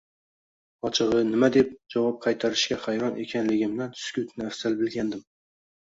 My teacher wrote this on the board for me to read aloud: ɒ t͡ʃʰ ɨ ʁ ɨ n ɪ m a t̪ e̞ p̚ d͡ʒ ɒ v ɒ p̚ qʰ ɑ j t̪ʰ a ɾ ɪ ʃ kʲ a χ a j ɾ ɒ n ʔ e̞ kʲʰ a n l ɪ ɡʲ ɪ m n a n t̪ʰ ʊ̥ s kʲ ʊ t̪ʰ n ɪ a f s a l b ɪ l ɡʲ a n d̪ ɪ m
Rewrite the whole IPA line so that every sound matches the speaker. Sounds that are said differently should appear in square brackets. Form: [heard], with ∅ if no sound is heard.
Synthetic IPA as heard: ɒ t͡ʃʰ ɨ ʁ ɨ n ɪ m a [d̪] e̞ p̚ d͡ʒ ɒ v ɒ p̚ qʰ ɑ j t̪ʰ a ɾ ɪ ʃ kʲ a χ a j ɾ ɒ n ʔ e̞ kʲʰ a n l ɪ ɡʲ ɪ m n a n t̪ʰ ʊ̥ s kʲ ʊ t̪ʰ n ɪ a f s a l b ɪ l ɡʲ a n d̪ ɪ m

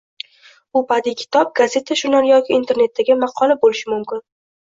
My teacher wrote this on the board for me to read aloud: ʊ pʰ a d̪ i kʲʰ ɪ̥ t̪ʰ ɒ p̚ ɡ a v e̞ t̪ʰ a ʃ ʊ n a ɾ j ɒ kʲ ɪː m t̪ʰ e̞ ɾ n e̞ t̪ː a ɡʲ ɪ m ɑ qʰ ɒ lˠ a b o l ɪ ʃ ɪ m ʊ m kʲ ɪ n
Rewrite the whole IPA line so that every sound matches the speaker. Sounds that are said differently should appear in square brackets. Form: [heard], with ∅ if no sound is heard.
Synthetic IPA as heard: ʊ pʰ a d̪ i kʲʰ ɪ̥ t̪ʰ ɒ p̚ ɡ a [z] e̞ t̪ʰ a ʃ ʊ n a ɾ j ɒ kʲ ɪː [n] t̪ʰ e̞ ɾ n e̞ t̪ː a ɡʲ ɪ m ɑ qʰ ɒ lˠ a b o l ɪ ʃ ɪ m ʊ m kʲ ɪ n

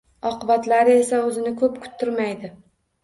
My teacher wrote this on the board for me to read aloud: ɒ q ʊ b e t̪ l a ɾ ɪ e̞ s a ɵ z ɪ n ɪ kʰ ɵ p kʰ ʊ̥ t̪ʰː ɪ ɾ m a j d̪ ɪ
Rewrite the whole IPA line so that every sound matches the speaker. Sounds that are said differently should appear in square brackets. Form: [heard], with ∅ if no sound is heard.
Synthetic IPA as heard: ɒ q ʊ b [a] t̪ l a ɾ ɪ e̞ s a ɵ z ɪ n ɪ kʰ ɵ p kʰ ʊ̥ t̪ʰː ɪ ɾ m a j d̪ ɪ

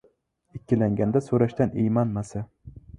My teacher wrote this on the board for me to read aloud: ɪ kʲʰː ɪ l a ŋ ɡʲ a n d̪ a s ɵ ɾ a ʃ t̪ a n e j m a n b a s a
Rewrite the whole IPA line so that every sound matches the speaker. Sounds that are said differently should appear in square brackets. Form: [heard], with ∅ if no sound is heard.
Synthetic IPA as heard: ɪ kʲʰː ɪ l a ŋ ɡʲ a n d̪ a s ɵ ɾ a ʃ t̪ a n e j m a n [m] a s a

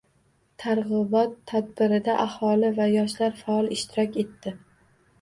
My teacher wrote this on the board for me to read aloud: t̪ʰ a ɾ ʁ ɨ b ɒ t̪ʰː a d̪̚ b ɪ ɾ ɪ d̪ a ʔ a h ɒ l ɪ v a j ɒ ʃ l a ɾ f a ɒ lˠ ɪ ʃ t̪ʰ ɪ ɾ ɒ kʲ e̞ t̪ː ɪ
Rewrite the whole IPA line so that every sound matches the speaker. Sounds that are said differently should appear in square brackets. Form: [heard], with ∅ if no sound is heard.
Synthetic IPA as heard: t̪ʰ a ɾ ʁ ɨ b ɒ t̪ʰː a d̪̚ b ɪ ɾ ɪ d̪ a ʔ a h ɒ l ɪ v a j ɒ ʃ l a ɾ f a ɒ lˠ ɪ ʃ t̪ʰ ɪ ɾ ɒ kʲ e̞ t̪ː ɪ

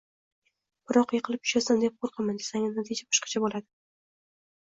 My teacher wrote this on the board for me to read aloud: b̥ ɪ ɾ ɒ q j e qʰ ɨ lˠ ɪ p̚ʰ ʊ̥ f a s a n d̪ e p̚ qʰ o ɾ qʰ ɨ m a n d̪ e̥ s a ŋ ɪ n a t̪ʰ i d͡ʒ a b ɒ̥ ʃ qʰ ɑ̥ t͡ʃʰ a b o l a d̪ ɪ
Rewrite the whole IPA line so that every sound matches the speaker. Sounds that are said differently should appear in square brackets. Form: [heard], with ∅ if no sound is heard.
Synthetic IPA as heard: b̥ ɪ ɾ ɒ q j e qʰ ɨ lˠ ɪ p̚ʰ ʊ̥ [ʃ] a s a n d̪ e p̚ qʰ o ɾ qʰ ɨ m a n d̪ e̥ s a ŋ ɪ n a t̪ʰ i d͡ʒ a b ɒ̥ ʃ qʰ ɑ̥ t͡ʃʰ a b o l a d̪ ɪ

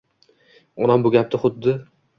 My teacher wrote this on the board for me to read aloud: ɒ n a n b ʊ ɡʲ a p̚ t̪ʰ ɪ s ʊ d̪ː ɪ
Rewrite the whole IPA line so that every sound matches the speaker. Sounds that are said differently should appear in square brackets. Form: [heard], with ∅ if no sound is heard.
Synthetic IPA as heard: ɒ n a [m] b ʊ ɡʲ a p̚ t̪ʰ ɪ [χ] ʊ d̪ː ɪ

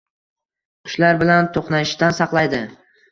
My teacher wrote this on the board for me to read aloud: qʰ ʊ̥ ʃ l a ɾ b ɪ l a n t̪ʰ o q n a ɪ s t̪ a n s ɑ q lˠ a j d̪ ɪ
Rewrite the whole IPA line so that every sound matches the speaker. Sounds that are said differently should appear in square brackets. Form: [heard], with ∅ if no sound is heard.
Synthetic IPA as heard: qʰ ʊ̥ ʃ l a ɾ b ɪ l a n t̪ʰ o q n a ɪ [ʃ] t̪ a n s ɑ q lˠ a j d̪ ɪ

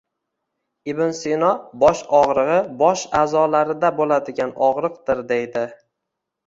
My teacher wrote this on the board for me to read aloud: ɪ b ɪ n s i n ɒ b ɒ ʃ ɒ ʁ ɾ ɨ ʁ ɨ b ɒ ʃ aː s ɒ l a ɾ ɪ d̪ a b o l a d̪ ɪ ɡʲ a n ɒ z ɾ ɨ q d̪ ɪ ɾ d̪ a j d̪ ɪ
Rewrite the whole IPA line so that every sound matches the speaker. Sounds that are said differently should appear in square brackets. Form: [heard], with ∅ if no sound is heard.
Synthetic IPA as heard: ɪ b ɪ n s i n ɒ b ɒ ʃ ɒ ʁ ɾ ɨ ʁ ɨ b ɒ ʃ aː [z] ɒ l a ɾ ɪ d̪ a b o l a d̪ ɪ ɡʲ a n ɒ [ʁ] ɾ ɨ q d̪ ɪ ɾ d̪ [e] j d̪ ɪ

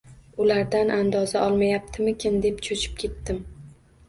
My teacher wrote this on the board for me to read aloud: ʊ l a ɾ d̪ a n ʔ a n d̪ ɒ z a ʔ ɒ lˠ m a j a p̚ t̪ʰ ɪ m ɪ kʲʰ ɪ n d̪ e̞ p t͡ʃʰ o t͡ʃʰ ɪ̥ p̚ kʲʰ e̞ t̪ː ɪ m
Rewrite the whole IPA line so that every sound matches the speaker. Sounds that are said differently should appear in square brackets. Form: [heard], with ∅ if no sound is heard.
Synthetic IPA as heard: ʊ l a ɾ d̪ a n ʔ a n d̪ ɒ z a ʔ ɒ lˠ m a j a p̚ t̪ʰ ɪ m ɪ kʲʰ ɪ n d̪ e̞ p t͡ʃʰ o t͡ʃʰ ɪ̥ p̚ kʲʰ e̞ t̪ː ɪ m

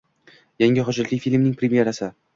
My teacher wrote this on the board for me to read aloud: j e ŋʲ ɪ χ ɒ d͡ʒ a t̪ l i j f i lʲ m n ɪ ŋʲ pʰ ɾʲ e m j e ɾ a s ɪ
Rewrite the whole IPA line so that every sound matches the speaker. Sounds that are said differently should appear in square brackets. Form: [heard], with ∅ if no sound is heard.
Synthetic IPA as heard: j [a] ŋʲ ɪ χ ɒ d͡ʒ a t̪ l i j f i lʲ m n ɪ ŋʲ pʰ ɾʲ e m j e ɾ a s ɪ

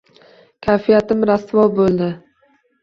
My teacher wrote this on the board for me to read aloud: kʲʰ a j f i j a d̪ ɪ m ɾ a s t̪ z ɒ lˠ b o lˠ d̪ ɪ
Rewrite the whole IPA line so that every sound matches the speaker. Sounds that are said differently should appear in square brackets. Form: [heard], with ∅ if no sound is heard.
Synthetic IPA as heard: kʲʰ a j f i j a [t̪] ɪ m ɾ a s t̪ [v] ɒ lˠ b o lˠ d̪ ɪ

